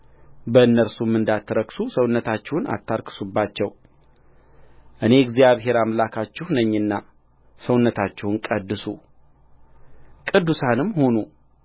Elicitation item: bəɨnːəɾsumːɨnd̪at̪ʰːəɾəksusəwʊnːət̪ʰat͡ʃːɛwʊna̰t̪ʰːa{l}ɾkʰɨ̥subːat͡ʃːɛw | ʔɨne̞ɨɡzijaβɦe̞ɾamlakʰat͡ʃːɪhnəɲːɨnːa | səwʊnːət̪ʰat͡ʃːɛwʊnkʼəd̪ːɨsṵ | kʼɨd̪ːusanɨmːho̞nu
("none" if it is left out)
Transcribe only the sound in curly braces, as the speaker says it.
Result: none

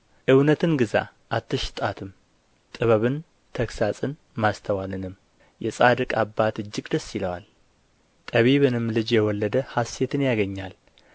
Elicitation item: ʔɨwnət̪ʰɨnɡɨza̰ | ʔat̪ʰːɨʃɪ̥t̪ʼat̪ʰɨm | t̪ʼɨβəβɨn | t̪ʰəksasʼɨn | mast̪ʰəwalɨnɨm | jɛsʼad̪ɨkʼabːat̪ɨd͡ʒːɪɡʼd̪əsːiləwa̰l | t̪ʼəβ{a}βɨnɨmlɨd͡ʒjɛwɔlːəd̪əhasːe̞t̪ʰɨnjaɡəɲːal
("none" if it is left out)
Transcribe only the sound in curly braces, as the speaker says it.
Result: i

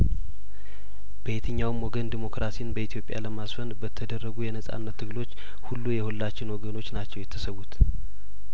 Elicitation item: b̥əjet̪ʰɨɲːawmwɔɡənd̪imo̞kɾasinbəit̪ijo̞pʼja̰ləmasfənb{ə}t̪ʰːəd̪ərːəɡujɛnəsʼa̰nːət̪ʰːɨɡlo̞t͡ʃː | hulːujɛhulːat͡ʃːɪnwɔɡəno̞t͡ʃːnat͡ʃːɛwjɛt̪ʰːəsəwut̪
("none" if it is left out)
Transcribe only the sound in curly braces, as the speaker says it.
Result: ə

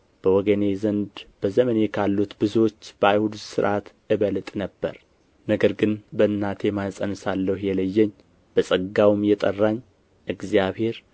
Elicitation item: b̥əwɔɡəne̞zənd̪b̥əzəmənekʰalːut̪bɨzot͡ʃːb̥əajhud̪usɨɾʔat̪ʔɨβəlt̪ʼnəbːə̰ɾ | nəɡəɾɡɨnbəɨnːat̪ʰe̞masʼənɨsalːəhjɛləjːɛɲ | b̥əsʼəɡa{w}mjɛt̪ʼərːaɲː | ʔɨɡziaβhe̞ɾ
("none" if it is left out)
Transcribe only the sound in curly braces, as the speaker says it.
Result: w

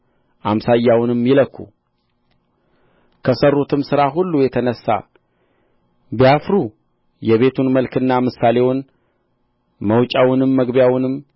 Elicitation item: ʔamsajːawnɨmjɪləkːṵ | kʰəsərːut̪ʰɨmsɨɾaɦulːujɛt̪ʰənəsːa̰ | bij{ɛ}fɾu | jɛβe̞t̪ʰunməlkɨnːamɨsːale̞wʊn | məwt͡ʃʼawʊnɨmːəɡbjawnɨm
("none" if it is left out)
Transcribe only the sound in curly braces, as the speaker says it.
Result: a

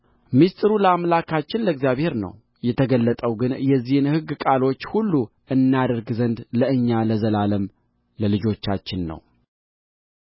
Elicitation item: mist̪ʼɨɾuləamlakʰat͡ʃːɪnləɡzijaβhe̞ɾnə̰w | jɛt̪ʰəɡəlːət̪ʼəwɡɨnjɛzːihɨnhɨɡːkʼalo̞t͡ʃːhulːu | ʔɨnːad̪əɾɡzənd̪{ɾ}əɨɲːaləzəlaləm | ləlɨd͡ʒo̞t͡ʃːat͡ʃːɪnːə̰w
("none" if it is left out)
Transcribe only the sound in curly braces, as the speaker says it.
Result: l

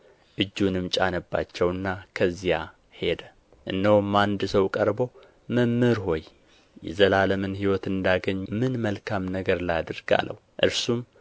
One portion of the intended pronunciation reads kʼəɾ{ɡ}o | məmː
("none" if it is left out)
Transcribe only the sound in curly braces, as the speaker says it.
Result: b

